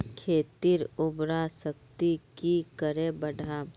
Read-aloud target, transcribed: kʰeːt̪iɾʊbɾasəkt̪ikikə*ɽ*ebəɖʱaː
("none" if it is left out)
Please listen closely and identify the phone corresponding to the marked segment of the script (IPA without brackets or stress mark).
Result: ɾ